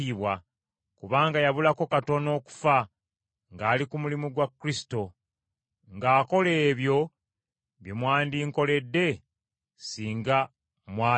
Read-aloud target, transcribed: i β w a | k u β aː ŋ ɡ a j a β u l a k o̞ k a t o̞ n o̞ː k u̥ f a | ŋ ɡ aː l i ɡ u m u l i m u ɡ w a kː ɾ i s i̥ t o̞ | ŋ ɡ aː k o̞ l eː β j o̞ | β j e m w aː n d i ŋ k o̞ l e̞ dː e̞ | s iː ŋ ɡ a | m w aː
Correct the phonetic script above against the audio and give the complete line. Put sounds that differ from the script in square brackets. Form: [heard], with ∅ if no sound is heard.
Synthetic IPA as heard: i β w a | k u β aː ŋ ɡ a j a β u l a k o̞ k a t o̞ n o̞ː k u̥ f a | ŋ ɡ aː l i [k] u m u l i m u ɡ w a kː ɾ i s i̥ t o̞ | ŋ ɡ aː k o̞ l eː β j o̞ | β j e m w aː n d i ŋ k o̞ l e̞ dː e̞ | s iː ŋ ɡ a | m w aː